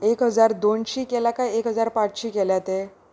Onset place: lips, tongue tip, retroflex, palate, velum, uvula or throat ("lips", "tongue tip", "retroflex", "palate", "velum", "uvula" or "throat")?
velum